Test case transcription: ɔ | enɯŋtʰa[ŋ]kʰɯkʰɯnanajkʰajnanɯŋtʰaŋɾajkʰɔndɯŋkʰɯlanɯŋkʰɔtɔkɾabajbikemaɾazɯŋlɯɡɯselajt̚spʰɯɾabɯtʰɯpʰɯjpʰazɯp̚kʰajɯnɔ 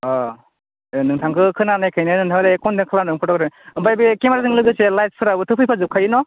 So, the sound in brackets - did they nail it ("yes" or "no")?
yes